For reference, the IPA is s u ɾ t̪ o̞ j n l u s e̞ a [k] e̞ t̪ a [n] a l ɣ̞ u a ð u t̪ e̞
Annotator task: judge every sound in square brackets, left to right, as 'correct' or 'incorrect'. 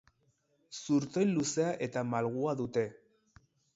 incorrect: ʔ, incorrect: m

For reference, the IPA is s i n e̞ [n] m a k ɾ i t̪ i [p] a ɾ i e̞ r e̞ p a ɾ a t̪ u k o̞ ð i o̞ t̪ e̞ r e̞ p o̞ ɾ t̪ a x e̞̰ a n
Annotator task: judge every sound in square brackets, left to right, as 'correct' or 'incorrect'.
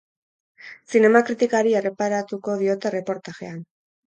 incorrect: none, incorrect: k

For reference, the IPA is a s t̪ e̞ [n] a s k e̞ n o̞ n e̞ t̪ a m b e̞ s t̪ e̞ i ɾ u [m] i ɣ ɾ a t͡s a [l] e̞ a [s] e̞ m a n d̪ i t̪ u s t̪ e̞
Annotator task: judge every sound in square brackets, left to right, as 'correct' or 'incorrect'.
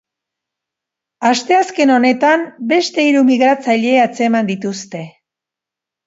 incorrect: none, correct, incorrect: ʎ, incorrect: t͡s

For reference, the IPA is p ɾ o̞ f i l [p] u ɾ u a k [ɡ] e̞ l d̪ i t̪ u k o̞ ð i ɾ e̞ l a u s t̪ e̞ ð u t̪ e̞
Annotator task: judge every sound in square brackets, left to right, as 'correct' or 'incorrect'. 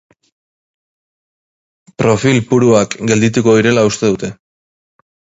correct, correct

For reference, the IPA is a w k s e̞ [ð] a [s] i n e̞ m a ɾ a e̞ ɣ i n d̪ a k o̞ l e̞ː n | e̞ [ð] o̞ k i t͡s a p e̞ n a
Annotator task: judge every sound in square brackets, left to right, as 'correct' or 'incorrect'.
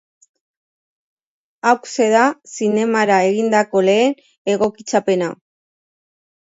correct, correct, incorrect: ɣ

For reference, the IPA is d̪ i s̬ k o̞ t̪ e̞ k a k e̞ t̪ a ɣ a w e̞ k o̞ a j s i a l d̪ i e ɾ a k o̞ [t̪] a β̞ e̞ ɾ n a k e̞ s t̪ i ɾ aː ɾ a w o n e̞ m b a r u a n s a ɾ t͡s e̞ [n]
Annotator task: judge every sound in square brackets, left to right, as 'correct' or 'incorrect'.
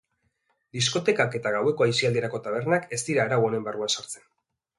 correct, correct

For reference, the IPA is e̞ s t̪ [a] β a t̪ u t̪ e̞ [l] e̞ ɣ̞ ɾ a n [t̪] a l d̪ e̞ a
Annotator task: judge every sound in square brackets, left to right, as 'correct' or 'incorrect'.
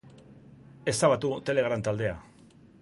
correct, correct, correct

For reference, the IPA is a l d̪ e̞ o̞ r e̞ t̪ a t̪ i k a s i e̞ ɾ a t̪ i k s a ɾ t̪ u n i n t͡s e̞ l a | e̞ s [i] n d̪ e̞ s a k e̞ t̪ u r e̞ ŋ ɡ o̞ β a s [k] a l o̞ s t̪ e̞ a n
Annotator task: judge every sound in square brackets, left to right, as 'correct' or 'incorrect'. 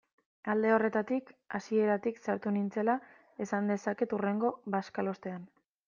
incorrect: a, correct

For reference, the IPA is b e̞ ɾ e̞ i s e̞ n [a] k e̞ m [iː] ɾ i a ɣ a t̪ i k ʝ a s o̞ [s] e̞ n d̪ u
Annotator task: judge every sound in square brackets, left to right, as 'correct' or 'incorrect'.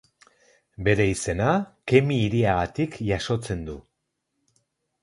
correct, correct, incorrect: t͡s

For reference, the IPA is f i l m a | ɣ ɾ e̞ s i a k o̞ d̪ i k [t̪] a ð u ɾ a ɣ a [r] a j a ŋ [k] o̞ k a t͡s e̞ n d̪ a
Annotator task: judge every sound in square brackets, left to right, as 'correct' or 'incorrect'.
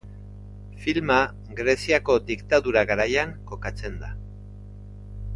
correct, incorrect: ɾ, correct

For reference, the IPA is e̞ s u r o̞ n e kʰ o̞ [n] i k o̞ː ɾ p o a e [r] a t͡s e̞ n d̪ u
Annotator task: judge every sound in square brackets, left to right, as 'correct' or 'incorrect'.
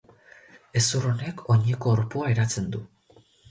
incorrect: ɲ, incorrect: ɾ

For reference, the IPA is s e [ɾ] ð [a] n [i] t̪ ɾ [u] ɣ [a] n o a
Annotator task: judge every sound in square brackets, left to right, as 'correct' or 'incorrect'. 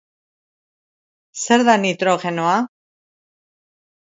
correct, correct, correct, incorrect: o, incorrect: e

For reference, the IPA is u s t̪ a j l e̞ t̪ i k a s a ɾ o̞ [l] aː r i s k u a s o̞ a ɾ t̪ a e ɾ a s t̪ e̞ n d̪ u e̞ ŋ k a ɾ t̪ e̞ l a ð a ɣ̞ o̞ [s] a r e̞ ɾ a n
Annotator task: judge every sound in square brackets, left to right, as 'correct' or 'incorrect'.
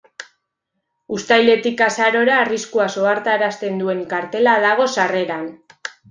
incorrect: ɾ, correct

